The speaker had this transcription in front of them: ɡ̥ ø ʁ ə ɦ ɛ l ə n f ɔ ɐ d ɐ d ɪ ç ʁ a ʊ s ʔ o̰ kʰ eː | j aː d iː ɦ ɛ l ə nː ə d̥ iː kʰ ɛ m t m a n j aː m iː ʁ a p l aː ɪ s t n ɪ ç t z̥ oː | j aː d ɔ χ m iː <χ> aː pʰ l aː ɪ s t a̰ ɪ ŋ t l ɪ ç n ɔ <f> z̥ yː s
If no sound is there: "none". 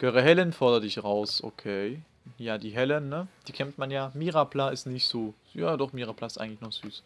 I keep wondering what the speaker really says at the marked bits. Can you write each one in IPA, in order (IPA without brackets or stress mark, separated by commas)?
ʁ, χ